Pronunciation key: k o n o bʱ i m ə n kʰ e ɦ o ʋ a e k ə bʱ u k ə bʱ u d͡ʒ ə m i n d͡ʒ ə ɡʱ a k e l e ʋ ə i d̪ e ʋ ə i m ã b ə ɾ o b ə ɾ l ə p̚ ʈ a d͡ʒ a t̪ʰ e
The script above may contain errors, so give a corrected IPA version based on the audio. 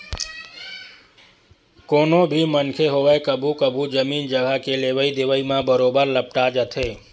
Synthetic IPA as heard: k o n o bʱ i m ə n kʰ e ɦ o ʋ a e k ə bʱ u k ə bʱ u d͡ʒ ə m i n d͡ʒ ə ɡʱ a k e l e ʋ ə i d̪ e ʋ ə i m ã b ə ɾ o b ə ɾ l ə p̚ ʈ a d͡ʒ ə t̪ʰ e